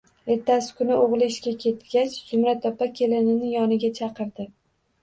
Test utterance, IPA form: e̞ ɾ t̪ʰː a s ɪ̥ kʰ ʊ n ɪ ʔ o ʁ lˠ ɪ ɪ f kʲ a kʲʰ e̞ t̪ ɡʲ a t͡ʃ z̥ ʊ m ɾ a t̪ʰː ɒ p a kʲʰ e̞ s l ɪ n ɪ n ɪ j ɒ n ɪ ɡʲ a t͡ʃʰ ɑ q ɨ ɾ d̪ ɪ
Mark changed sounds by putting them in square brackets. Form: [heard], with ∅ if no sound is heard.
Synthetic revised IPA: e̞ ɾ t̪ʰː a s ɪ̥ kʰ ʊ n ɪ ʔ o ʁ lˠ ɪ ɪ [ʃ] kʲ a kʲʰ e̞ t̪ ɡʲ a t͡ʃ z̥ ʊ m ɾ a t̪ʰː ɒ p a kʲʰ e̞ [∅] l ɪ n ɪ n ɪ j ɒ n ɪ ɡʲ a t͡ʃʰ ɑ q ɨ ɾ d̪ ɪ

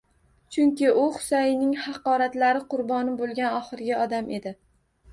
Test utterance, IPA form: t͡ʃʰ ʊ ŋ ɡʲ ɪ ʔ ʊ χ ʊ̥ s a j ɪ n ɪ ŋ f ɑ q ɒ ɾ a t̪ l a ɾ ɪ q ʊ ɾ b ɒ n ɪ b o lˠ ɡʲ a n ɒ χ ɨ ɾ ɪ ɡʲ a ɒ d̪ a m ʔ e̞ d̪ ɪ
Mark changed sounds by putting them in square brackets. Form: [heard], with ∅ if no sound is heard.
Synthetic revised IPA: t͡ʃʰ ʊ ŋ [kʲ] ɪ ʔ ʊ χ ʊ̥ s a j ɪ n ɪ ŋ [h] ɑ q ɒ ɾ a t̪ l a ɾ ɪ q ʊ ɾ b ɒ n ɪ b o lˠ ɡʲ a n ɒ χ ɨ ɾ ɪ ɡʲ a ɒ d̪ a m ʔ e̞ d̪ ɪ

